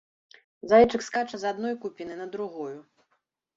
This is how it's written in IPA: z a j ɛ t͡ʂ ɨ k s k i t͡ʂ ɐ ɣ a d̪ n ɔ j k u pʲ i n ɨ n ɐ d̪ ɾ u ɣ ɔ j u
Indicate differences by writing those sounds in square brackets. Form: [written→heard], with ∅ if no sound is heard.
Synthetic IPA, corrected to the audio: z a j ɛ t͡ʂ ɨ k s k [i→a] t͡ʂ ɐ [ɣ→z] a d̪ n ɔ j k u pʲ i n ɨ n ɐ d̪ ɾ u ɣ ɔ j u